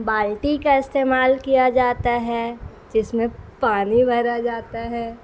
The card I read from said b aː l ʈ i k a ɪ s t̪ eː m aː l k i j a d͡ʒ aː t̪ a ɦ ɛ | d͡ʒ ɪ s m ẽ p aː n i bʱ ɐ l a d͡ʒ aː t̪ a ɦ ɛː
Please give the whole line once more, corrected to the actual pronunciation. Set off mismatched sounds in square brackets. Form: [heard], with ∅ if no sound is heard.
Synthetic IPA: b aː l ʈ i k a ɪ s t̪ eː m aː l k i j a d͡ʒ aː t̪ a ɦ ɛ | d͡ʒ ɪ s m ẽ p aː n i bʱ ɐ [ɾ] a d͡ʒ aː t̪ a ɦ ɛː